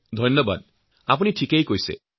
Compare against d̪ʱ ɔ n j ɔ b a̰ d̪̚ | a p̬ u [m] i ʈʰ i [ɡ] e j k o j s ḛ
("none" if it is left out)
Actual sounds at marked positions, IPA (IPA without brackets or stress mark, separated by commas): n, k